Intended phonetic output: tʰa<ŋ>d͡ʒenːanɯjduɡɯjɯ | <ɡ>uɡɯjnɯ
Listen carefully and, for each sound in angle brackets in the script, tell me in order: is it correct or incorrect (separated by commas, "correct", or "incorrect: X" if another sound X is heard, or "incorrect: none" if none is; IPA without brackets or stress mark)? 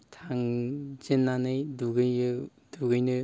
correct, incorrect: d